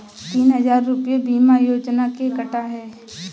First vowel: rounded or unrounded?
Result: unrounded